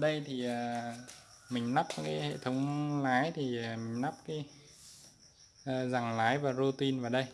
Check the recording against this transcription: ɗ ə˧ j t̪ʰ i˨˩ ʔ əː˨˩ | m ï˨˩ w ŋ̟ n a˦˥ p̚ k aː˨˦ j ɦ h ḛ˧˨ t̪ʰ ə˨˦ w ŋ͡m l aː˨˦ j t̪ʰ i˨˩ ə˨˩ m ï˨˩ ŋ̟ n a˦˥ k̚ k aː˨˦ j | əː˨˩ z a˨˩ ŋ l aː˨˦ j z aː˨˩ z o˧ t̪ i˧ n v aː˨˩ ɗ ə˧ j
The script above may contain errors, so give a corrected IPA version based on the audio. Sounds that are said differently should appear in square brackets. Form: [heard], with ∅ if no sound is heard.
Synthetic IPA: ɗ ə˧ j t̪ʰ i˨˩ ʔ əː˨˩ | m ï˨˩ [∅] ŋ̟ n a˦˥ p̚ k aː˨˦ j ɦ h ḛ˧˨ t̪ʰ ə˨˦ w ŋ͡m l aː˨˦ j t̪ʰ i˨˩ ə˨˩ m ï˨˩ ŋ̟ n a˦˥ [p̚] k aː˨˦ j | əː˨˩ z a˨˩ ŋ l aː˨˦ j [v] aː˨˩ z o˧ t̪ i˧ n v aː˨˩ ɗ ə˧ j